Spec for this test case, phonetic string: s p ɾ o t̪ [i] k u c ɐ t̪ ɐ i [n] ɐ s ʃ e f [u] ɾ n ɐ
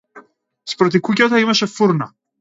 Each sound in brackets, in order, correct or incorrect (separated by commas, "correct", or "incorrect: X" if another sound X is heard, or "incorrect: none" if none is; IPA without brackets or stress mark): correct, incorrect: m, correct